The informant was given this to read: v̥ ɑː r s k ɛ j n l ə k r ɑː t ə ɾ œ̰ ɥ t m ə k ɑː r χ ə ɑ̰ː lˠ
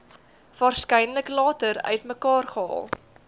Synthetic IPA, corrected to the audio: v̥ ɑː r s k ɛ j n l ə k l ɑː t ə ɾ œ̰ ɥ t m ə k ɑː r χ ə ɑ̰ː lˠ